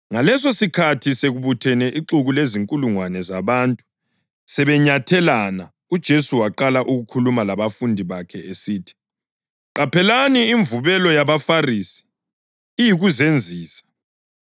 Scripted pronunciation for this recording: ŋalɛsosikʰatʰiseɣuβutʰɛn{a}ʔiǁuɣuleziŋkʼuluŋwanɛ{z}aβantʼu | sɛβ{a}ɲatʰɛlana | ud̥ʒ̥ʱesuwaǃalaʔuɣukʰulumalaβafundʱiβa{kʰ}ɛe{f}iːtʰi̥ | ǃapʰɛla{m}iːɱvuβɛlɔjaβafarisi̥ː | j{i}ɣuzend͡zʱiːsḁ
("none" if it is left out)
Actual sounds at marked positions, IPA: ɛ, z, ɛ, kʰ, s, n, i

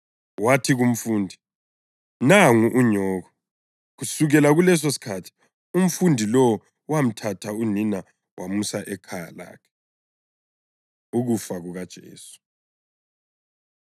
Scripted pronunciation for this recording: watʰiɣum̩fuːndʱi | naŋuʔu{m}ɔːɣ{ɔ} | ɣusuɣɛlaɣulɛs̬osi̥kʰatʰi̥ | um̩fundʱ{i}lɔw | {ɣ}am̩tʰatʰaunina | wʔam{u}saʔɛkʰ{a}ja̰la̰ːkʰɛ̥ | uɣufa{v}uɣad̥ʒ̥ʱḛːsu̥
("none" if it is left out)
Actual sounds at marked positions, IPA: ɲ, ɔ, i, w, u, a, ɣ

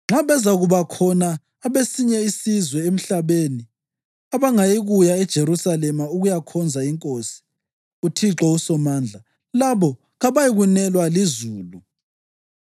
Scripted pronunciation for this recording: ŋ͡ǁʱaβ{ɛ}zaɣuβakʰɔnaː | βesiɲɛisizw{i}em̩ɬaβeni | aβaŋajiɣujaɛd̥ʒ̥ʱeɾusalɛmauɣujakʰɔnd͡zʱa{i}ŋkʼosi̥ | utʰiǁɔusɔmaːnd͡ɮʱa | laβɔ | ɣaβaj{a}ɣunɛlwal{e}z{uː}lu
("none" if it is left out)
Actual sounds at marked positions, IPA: ɛ, ɛ, i, i, i, uː

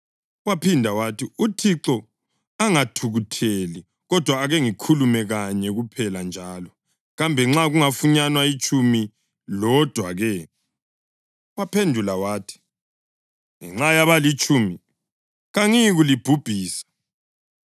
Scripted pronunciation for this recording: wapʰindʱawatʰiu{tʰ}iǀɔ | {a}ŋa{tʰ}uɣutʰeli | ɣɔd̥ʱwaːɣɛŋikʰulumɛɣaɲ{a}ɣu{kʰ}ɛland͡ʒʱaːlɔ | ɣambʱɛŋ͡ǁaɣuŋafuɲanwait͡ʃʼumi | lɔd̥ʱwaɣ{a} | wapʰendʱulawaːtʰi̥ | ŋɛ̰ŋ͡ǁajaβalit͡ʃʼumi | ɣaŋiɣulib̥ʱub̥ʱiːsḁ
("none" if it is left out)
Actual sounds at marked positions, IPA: tʰ, a, tʰ, ɛ, pʰ, ɛ

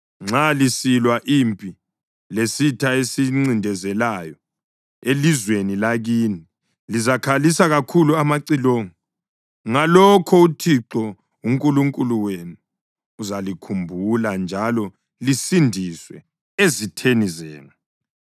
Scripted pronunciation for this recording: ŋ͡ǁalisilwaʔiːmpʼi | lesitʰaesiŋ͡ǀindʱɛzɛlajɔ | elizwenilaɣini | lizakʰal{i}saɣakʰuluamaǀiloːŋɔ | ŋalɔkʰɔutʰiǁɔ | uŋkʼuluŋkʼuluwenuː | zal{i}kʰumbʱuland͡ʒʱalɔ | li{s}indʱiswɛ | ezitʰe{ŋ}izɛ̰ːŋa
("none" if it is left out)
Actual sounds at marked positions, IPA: i, i, s, n

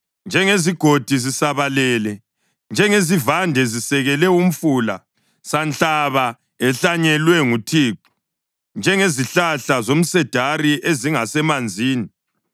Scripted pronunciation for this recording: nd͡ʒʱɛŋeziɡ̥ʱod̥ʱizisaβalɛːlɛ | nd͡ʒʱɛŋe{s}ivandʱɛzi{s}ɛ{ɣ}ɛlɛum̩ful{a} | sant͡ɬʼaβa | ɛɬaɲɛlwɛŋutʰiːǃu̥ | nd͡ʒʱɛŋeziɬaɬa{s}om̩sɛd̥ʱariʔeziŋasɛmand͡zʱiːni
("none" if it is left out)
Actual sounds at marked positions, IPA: z, s, ɣ, a, z

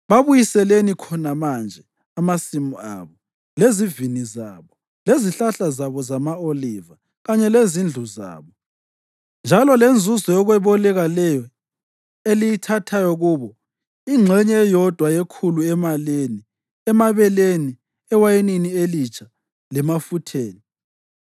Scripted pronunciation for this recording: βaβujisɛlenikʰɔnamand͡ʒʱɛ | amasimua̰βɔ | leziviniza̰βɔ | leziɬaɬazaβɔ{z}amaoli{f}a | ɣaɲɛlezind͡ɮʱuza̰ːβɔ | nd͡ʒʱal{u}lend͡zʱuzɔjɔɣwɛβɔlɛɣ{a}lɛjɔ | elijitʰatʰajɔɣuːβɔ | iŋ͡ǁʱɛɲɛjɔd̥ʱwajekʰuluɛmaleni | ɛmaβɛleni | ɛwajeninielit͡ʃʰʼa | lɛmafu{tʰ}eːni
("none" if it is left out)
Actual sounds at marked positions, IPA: z, v, ɔ, a, tʰ

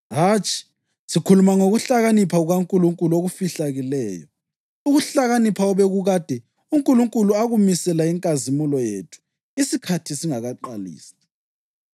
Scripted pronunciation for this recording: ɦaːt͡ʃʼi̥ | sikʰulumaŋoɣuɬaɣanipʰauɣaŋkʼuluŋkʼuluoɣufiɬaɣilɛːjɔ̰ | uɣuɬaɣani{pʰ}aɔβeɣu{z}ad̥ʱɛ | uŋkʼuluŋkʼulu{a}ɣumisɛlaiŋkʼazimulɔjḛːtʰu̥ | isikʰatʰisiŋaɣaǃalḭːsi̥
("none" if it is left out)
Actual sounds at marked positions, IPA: pʰ, ɣ, a

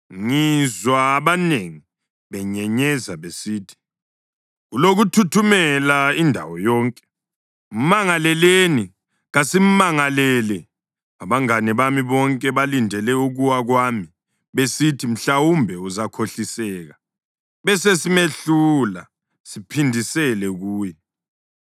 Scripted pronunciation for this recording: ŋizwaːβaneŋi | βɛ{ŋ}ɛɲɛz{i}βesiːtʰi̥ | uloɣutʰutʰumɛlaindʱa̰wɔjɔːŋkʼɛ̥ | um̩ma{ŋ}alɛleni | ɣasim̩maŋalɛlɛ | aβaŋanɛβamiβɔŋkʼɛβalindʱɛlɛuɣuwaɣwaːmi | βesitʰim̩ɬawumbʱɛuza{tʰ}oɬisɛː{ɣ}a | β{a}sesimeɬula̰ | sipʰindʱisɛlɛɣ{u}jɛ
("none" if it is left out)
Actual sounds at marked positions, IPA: ɲ, a, ŋ, kʰ, ɣ, ɛ, uː

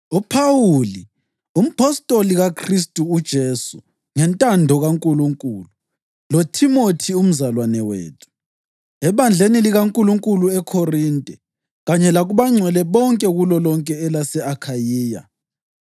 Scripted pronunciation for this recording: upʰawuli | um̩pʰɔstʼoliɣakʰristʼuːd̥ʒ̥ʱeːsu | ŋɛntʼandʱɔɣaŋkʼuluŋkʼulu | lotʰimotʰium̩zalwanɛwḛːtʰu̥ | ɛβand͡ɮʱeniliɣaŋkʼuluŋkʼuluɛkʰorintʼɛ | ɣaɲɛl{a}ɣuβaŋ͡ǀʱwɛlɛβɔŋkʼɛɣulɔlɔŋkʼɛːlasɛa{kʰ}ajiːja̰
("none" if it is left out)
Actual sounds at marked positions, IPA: a, kʰ

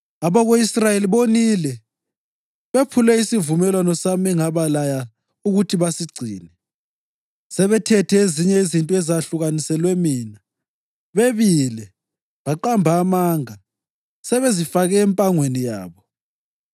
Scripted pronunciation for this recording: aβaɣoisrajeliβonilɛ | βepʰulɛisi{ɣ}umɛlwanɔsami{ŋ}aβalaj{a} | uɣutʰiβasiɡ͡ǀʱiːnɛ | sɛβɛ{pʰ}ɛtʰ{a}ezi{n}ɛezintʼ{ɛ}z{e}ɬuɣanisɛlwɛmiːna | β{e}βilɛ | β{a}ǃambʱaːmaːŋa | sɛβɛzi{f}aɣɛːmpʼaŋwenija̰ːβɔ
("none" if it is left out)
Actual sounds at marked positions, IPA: v, ŋ, a, tʰ, ɛ, ɲ, ɛ, a, e, a, f

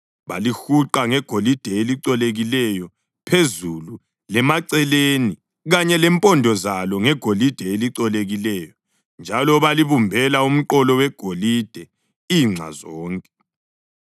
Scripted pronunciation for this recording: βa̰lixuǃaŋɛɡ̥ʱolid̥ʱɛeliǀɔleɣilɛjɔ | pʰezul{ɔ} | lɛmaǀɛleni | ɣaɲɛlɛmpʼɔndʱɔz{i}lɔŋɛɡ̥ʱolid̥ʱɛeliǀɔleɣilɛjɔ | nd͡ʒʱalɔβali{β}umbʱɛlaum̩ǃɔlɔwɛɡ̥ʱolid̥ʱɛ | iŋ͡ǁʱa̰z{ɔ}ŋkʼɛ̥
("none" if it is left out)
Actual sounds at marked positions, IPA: u, a, β, ɔː

